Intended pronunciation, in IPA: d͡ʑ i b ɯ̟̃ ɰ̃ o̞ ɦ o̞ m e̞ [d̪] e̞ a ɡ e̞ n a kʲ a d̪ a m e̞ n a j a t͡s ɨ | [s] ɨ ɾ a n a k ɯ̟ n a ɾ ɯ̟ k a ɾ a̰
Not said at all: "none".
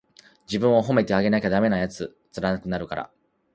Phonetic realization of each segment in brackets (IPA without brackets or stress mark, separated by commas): t̪, t͡s